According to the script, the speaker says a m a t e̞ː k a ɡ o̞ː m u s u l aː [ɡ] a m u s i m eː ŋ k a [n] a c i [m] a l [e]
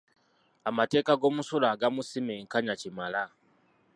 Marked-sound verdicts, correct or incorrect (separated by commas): correct, incorrect, correct, incorrect